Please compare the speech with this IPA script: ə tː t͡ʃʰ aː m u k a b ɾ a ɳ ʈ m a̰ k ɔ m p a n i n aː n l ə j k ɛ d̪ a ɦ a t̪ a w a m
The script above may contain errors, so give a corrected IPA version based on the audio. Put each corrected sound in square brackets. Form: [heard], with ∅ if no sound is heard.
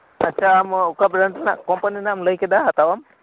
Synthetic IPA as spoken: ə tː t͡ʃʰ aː m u k a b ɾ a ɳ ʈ [n] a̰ k ɔ m p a n i n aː [m] l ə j k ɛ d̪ a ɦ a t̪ a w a m